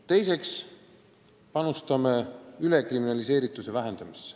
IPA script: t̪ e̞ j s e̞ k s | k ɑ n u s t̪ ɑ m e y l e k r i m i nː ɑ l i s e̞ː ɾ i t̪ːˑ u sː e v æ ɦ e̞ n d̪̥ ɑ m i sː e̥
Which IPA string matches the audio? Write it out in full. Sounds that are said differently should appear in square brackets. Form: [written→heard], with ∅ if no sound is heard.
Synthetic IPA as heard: t̪ e̞ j s e̞ k s | [k→p] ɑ n u s t̪ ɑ m e y l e k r i m i [nː→n] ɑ l i s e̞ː ɾ i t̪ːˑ u [sː→s] e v æ ɦ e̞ n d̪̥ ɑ m i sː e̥